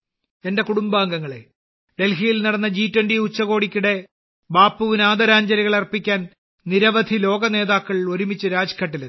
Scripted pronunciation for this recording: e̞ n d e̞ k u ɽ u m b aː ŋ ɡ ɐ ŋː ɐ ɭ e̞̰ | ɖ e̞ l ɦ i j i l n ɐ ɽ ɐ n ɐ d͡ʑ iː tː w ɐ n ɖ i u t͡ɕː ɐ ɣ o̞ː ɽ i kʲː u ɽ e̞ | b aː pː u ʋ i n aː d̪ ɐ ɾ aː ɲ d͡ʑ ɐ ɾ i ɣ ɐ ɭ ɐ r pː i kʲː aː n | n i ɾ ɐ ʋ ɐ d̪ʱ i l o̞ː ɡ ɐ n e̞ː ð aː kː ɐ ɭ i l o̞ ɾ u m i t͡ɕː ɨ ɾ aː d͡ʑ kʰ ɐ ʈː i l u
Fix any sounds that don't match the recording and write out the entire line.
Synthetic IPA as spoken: e̞ n d e̞ k u ɽ u m b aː ŋ ɡ ɐ ŋː ɐ ɭ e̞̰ | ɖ e̞ l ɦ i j i l n ɐ ɽ ɐ nː ɐ d͡ʑ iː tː w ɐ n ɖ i u t͡ɕː ɐ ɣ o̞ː ɽ i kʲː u ɽ e̞ | b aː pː u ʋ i n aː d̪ ɐ ɾ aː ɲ d͡ʑ ɐ ɾ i ɣ ɐ ɭ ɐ r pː i kʲː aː n | n i ɾ ɐ ʋ ɐ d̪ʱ i l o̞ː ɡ ɐ n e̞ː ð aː kː ɐ ɭ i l o̞ ɾ u m i t͡ɕː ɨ ɾ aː d͡ʑ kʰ ɐ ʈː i l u

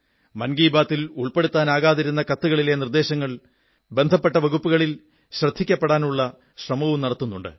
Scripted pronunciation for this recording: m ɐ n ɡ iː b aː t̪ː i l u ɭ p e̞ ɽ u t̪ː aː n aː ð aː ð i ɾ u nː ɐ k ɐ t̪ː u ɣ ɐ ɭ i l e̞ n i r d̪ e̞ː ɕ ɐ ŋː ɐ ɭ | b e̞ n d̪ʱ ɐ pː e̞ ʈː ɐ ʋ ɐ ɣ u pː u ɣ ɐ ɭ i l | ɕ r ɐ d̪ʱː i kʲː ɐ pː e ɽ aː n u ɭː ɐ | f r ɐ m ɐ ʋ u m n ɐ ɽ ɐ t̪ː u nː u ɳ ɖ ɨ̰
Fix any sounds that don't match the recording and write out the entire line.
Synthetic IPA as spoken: m ɐ n ɡ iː b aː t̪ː i l u ɭ p e̞ ɽ u t̪ː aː n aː ɣ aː ð i ɾ u nː ɐ k ɐ t̪ː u ɣ ɐ ɭ i l e̞ n i r d̪ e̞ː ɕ ɐ ŋː ɐ ɭ | b e̞ n d̪ʱ ɐ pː e̞ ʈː ɐ ʋ ɐ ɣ u pː u ɣ ɐ ɭ i l | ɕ r ɐ d̪ʱː i kʲː ɐ pː e ɽ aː n u ɭː ɐ | ɕ r ɐ m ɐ ʋ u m n ɐ ɽ ɐ t̪ː u nː u ɳ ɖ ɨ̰

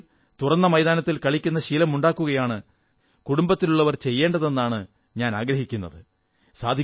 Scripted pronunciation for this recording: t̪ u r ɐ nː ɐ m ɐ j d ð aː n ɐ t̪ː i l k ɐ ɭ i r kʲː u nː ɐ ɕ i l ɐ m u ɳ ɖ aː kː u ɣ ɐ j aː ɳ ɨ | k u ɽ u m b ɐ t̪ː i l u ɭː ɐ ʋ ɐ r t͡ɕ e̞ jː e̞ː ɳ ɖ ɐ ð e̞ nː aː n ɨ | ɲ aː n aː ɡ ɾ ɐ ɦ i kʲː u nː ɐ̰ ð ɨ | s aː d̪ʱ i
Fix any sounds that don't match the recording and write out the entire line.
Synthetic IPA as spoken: t̪ u r ɐ nː ɐ m ɐ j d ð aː n ɐ t̪ː i l k ɐ ɭ i kʲː u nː ɐ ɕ i l ɐ m u ɳ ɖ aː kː u ɣ ɐ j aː ɳ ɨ | k u ɽ u m b ɐ t̪ː i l u ɭː ɐ ʋ ɐ r t͡ɕ e̞ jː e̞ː ɳ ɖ ɐ ð e̞ nː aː ɳ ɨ | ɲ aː n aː ɡ ɾ ɐ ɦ i kʲː u nː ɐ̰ ð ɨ | s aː d̪ʱ i

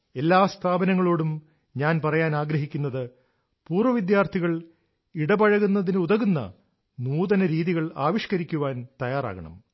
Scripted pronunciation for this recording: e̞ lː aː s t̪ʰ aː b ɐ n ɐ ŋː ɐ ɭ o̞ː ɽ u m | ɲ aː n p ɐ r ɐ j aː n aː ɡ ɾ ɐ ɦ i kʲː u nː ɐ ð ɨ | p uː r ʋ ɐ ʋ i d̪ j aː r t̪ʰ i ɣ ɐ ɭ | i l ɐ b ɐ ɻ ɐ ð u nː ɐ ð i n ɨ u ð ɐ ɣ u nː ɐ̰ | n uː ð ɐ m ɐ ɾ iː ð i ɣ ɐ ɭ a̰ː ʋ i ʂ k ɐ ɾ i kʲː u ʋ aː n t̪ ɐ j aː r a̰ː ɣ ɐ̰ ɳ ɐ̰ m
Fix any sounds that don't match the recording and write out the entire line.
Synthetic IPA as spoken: e̞ lː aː s t̪ʰ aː b ɐ n ɐ ŋː ɐ ɭ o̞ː ɽ u m | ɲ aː n p ɐ r ɐ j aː n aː ɡ ɾ ɐ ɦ i kʲː u nː ɐ ð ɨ | p uː r ʋ ɐ ʋ i d̪ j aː r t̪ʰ i ɣ ɐ ɭ | i ɽ ɐ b ɐ ɻ ɐ ɣ u nː ɐ ð i n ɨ u ð ɐ ɣ u nː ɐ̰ | n uː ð ɐ n ɐ ɾ iː ð i ɣ ɐ ɭ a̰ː ʋ i ʂ k ɐ ɾ i kʲː u ʋ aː n t̪ ɐ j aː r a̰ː ɣ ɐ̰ ɳ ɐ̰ m

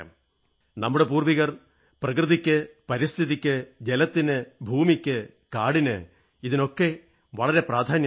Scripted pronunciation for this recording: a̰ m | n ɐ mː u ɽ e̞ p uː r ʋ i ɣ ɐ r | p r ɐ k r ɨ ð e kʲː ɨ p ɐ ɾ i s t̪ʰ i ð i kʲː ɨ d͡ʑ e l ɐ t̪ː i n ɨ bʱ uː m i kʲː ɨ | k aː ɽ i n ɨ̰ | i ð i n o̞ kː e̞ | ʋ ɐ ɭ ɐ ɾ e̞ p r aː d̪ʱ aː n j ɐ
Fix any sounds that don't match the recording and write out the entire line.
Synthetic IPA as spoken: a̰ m | n ɐ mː u ɽ e̞ p uː r ʋ i ɣ ɐ r | p r ɐ k r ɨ ð i kʲː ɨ p ɐ ɾ i s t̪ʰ i ð i kʲː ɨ d͡ʑ e l ɐ t̪ː i n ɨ bʱ uː m i kʲː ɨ | k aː ɽ i n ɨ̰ | i ð i n o̞ kː e̞ | ʋ ɐ ɭ ɐ ɾ e̞ p r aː d̪ʱ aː n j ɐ

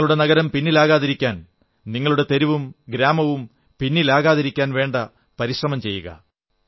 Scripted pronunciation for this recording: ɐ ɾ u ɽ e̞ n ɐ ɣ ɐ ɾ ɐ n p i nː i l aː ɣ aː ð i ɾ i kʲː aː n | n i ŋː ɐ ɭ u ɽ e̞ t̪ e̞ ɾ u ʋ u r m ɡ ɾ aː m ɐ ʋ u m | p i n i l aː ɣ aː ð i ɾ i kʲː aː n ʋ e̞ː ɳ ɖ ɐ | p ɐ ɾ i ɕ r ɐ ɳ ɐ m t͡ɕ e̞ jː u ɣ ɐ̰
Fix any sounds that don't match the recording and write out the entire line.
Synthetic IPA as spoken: ɐ ɭ u ɽ e̞ n ɐ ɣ ɐ ɾ ɐ m p i nː i l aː ɣ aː ð i ɾ i kʲː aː n | n i ŋː ɐ ɭ u ɽ e̞ t̪ e̞ ɾ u ʋ u m ɡ ɾ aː m ɐ ʋ u m | p i nː i l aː ɣ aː ð i ɾ i kʲː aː n ʋ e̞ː ɳ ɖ ɐ | p ɐ ɾ i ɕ r ɐ m ɐ m t͡ɕ e̞ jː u ɣ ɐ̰

